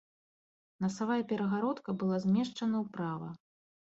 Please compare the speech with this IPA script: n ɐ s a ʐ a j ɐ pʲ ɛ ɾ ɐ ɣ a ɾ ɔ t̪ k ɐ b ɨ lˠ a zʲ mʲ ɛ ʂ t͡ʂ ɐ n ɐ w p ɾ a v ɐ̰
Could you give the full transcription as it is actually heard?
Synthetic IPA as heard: n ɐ s a v a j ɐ pʲ ɛ ɾ ɐ ɣ a ɾ ɔ t̪ k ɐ b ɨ lˠ a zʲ mʲ ɛ ʂ t͡ʂ ɐ n ɐ w p ɾ a v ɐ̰

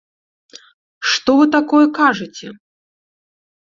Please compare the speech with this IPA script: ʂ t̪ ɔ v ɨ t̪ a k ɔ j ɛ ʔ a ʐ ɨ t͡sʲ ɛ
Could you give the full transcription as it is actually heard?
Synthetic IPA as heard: ʂ t̪ ɔ v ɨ t̪ a k ɔ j ɛ k a ʐ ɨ t͡sʲ ɛ

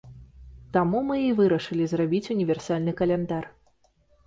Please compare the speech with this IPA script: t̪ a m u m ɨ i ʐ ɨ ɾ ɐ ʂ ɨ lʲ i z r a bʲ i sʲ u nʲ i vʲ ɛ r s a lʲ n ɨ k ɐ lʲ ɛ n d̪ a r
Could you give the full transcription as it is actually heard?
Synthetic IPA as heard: t̪ a m u m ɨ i v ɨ ɾ ɐ ʂ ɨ lʲ i z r a bʲ i t͡sʲ u nʲ i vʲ ɛ r s a lʲ n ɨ k ɐ lʲ ɛ n d̪ a r

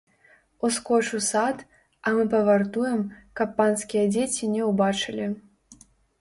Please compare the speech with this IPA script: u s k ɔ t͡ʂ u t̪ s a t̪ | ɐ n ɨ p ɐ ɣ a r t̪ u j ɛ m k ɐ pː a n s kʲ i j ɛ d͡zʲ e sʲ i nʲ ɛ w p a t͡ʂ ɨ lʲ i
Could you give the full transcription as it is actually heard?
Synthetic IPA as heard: u s k ɔ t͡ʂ u s a t̪ | ɐ m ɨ p ɐ v a r t̪ u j ɛ m k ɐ pː a n s kʲ i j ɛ d͡zʲ e t͡sʲ i nʲ ɛ w b a t͡ʂ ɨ lʲ i

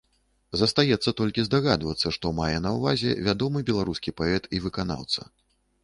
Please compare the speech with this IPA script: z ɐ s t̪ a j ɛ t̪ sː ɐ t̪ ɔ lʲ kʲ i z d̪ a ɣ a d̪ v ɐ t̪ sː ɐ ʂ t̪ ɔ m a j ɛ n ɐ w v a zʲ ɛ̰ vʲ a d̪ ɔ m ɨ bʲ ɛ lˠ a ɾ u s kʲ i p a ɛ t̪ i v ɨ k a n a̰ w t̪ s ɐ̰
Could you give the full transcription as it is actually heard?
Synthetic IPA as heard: z ɐ s t̪ a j ɛ t̪ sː ɐ t̪ ɔ lʲ kʲ i z d̪ a ɣ a d̪ v ɐ t̪ sː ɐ ʂ t̪ ɔ m a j ɛ n ɐ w v a zʲ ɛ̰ vʲ a d̪ ɔ m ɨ bʲ ɛ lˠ a ɾ u s kʲ i p a ɛ t̪ i v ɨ k a n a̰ w t̪ s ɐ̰

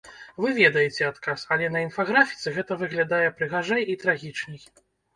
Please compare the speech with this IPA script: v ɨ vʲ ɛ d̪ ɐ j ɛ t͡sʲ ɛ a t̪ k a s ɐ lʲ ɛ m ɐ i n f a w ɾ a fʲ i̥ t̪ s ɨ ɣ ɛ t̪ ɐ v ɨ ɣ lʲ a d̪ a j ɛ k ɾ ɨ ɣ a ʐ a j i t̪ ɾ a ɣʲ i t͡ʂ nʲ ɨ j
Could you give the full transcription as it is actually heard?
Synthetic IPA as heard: v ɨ vʲ ɛ d̪ ɐ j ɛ t͡sʲ ɛ a t̪ k a s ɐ lʲ ɛ n ɐ i n f a ɣ ɾ a fʲ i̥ t̪ s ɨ ɣ ɛ t̪ ɐ v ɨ ɣ lʲ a d̪ a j ɛ p ɾ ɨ ɣ a ʐ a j i t̪ ɾ a ɣʲ i t͡ʂ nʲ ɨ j

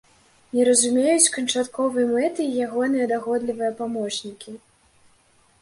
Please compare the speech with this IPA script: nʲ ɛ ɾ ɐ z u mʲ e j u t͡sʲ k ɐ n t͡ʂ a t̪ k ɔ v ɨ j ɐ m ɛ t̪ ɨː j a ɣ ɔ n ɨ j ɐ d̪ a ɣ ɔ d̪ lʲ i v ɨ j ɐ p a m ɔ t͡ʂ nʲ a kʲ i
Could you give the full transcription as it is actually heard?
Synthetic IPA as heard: nʲ ɛ ɾ ɐ z u mʲ e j u t͡sʲ k ɐ n t͡ʂ a t̪ k ɔ v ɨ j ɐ m ɛ t̪ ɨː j a ɣ ɔ n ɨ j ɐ d̪ a ɣ ɔ d̪ lʲ i v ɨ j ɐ p a m ɔ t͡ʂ nʲ i kʲ i

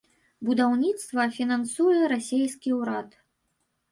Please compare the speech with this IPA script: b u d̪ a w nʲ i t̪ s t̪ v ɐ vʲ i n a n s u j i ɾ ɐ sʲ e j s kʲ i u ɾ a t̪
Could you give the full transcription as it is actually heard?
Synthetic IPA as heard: b u d̪ a w nʲ i t̪ s t̪ v ɐ fʲ i n a n s u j ɛ ɾ a sʲ e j s kʲ i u ɾ a t̪

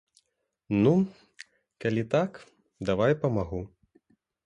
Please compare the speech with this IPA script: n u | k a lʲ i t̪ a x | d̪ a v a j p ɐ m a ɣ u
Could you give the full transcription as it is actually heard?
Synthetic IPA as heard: n u | k a lʲ i t̪ a k | d̪ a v a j p ɐ m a ɣ u

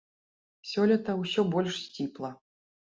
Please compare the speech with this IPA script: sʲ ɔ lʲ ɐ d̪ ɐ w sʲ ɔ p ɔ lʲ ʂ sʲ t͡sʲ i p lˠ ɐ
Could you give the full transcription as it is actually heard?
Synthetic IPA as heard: sʲ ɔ lʲ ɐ t̪ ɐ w sʲ ɔ b ɔ lʲ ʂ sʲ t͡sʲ i p lˠ ɐ

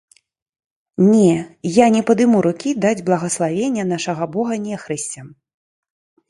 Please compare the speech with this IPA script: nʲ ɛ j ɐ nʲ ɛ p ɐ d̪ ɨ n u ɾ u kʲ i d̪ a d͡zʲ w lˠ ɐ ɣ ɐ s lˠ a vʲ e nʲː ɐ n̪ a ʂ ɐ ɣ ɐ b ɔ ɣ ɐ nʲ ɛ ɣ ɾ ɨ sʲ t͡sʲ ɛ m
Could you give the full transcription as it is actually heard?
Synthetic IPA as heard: nʲ ɛ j a nʲ ɛ p ɐ d̪ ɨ m u ɾ u kʲ i d̪ a d͡zʲ b lˠ ɐ ɣ ɐ s lˠ a vʲ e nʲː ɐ n̪ a ʂ ɐ ɣ ɐ b ɔ ɣ ɐ nʲ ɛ x ɾ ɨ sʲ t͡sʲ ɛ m

